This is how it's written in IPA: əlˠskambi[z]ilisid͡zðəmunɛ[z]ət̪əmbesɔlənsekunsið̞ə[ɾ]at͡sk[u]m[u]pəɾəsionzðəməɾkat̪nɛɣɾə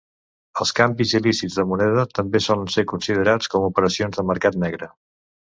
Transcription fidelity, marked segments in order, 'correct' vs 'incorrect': correct, incorrect, correct, incorrect, correct

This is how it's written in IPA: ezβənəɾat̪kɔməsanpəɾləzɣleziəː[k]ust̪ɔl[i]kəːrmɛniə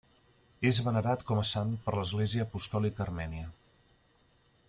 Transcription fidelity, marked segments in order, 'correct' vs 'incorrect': incorrect, correct

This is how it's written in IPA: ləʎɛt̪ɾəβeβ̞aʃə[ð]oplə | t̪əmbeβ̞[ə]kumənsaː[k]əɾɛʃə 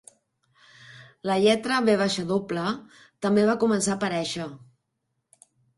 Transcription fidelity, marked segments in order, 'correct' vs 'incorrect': correct, incorrect, incorrect

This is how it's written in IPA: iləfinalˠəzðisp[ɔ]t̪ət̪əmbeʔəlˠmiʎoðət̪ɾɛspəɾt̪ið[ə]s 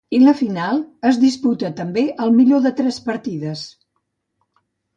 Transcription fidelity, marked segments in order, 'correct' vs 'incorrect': incorrect, correct

